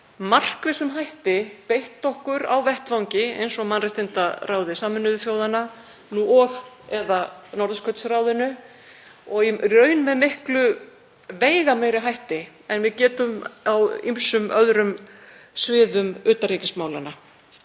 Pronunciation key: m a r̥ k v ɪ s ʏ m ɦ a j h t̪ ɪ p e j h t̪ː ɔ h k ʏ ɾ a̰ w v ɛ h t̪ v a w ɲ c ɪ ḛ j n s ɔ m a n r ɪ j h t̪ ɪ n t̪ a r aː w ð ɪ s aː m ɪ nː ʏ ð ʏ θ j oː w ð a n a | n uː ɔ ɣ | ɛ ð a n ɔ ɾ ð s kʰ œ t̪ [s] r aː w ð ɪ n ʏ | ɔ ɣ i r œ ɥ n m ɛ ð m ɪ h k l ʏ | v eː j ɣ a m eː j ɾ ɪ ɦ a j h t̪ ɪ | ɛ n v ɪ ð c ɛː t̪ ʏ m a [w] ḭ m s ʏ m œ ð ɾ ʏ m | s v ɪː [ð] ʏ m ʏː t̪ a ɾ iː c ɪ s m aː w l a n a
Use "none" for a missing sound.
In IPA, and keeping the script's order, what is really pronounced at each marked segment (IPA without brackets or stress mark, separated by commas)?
s, w, ð